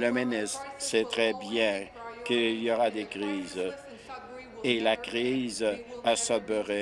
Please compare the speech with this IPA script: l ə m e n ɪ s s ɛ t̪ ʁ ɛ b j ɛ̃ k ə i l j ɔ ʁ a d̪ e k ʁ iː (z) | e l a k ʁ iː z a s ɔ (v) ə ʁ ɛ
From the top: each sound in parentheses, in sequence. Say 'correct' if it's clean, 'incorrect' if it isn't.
correct, incorrect: b

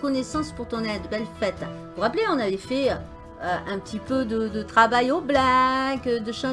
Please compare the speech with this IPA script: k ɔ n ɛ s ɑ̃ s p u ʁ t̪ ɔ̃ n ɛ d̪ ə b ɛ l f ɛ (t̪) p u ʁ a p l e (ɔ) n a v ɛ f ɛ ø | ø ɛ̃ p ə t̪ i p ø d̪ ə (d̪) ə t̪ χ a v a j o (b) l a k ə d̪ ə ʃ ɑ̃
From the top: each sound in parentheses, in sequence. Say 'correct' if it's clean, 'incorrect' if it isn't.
correct, incorrect: ɔ̃, correct, correct

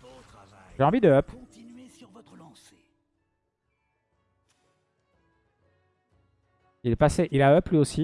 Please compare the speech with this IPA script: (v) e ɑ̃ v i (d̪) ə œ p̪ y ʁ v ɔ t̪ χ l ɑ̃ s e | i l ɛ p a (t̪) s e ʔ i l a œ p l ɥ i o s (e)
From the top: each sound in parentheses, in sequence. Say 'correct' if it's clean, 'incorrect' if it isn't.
incorrect: ʒ, correct, incorrect: none, incorrect: i

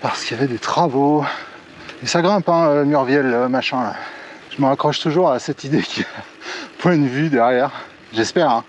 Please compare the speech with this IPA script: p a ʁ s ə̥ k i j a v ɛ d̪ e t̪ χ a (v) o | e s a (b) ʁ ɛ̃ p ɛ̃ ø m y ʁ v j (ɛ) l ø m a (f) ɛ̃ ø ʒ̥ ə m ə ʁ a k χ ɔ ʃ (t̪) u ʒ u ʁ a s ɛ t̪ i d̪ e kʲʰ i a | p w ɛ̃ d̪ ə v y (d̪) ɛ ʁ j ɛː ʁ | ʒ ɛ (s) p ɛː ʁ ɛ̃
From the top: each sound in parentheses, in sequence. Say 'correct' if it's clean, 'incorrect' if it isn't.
correct, incorrect: ɡ, correct, incorrect: ʃ, correct, correct, correct

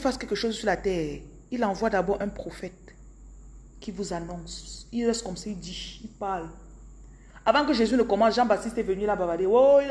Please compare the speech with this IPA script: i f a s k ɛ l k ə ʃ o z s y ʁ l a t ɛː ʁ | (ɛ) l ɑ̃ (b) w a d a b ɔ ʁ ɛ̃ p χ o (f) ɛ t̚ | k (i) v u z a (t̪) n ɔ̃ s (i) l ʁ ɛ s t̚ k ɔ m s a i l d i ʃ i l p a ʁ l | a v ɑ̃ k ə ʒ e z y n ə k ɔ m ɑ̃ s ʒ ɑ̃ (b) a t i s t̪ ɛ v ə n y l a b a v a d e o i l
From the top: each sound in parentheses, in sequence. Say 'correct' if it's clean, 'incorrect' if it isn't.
incorrect: i, incorrect: v, correct, correct, incorrect: none, correct, correct

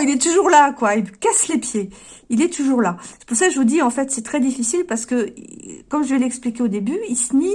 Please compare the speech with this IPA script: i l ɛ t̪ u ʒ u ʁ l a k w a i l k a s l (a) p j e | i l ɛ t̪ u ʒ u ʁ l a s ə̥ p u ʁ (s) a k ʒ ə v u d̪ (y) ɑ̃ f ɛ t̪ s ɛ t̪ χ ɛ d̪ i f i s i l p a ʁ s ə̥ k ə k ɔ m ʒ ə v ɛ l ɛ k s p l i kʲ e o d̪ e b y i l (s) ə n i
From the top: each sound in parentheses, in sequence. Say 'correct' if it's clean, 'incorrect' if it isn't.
incorrect: e, correct, incorrect: i, correct

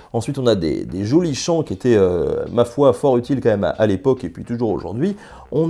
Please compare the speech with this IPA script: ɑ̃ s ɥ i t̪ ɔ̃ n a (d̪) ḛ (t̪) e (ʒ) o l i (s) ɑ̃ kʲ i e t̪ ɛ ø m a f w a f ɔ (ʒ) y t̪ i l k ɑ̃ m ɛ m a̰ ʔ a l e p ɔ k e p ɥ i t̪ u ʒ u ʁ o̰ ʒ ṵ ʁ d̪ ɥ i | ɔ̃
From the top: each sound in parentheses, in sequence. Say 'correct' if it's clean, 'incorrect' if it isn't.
correct, incorrect: d̪, correct, incorrect: ʃ, incorrect: ʁ

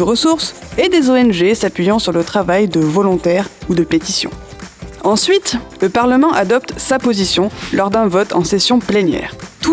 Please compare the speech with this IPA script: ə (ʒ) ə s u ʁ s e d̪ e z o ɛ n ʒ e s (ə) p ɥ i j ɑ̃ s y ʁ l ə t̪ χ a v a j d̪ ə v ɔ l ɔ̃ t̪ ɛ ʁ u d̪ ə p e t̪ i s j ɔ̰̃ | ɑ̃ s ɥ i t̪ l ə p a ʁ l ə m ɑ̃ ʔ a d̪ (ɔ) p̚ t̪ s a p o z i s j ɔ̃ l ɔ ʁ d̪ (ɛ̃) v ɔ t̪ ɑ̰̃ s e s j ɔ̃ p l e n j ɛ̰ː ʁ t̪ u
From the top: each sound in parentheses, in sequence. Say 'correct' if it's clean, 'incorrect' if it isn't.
incorrect: ʁ, incorrect: a, correct, correct

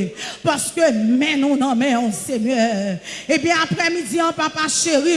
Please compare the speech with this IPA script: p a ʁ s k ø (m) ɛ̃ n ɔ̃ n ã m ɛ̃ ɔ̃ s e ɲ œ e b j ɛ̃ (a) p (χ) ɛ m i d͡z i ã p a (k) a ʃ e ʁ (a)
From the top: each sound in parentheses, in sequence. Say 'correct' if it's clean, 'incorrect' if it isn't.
correct, correct, incorrect: ʁ, incorrect: p, incorrect: i

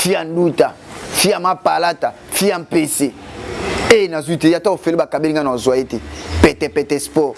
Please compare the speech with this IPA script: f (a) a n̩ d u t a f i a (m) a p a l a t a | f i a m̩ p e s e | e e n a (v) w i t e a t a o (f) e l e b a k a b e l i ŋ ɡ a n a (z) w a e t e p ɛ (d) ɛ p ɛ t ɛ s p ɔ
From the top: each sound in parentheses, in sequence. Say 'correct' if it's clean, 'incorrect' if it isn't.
incorrect: i, correct, incorrect: z, correct, correct, incorrect: t

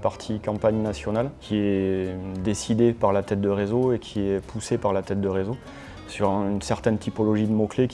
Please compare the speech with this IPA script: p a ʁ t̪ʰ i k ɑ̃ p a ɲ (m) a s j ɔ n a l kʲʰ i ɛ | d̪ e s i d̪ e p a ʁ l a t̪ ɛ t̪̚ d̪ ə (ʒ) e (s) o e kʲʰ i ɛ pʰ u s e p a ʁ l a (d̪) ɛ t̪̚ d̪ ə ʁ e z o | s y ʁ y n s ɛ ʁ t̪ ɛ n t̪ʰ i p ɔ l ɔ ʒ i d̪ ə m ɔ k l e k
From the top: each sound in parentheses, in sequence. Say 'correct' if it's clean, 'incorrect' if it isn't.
incorrect: n, incorrect: ʁ, incorrect: z, incorrect: t̪

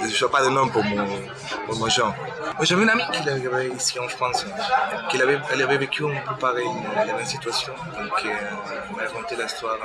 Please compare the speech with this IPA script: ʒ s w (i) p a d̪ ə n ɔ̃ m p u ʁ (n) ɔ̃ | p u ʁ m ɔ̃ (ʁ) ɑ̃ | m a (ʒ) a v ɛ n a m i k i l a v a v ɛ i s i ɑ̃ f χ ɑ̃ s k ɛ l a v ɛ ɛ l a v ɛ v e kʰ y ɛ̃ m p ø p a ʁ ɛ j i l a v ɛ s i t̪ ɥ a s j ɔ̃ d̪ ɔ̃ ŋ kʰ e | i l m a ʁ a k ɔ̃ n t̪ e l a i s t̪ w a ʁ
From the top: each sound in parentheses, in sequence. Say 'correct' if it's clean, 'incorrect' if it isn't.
incorrect: a, incorrect: m, incorrect: ʒ, correct

